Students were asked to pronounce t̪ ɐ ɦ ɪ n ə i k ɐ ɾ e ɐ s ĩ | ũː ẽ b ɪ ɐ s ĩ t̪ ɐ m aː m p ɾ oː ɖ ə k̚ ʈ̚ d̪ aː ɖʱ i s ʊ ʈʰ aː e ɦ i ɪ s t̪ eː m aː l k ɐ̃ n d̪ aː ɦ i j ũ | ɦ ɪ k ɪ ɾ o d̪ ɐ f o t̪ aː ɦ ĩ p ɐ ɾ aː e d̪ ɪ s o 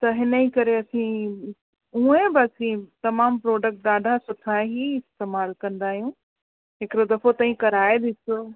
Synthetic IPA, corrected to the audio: t̪ ɐ ɦ ɪ n ə i k ɐ ɾ e ɐ s ĩ | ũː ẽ b ɪ ɐ s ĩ t̪ ɐ m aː m p ɾ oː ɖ ə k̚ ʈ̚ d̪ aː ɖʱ a s ʊ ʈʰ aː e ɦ i ɪ s t̪ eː m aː l k ɐ̃ n d̪ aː ɦ i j ũ | ɦ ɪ k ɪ ɾ o d̪ ɐ f o t̪ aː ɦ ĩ k ɐ ɾ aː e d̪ ɪ s o